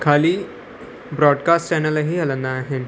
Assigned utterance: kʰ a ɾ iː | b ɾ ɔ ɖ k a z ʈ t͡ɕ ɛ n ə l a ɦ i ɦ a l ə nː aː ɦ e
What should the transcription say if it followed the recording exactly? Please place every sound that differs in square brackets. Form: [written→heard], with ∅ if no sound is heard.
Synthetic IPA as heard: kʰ a [ɾ→l] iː | b ɾ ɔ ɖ k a [z→s] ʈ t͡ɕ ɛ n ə l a ɦ i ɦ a l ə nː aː ɦ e